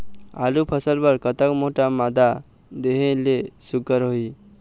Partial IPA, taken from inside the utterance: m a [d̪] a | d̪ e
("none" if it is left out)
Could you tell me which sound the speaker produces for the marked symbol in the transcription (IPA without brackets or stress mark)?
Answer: d̪